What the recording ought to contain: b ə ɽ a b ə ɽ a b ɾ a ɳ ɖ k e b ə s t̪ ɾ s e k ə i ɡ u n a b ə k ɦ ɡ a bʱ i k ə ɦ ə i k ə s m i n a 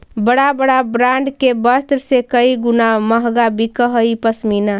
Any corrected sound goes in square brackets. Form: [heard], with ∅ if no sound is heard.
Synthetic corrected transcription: b ə ɽ a b ə ɽ a b ɾ a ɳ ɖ k e b ə s t̪ ɾ s e k ə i ɡ u n a [m] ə [∅] ɦ ɡ a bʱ i k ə ɦ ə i [p] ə s m i n a